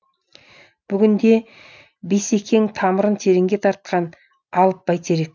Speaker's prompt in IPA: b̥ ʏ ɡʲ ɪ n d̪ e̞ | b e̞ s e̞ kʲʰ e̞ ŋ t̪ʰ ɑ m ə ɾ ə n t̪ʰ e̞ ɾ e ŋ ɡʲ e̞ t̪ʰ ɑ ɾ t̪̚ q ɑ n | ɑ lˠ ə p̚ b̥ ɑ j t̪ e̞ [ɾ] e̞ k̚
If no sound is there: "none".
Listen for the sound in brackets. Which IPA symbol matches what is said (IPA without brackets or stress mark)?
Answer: ɾ